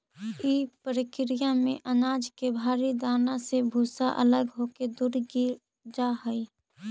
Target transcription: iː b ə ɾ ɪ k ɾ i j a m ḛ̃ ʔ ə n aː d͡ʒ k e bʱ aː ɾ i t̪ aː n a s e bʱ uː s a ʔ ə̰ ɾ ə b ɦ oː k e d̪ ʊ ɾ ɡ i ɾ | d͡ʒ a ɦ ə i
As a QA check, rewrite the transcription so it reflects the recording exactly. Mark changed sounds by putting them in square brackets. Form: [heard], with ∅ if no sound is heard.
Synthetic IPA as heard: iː [p] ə ɾ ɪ k ɾ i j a m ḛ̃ ʔ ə n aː d͡ʒ k e bʱ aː ɾ i [d̪] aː n a s e bʱ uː s a ʔ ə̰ [l] ə [ɡ] ɦ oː k e d̪ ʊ ɾ ɡ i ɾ | d͡ʒ a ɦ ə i